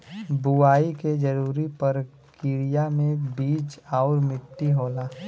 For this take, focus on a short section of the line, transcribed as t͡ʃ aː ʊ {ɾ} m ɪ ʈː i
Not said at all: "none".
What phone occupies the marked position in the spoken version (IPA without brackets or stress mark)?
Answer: ɾ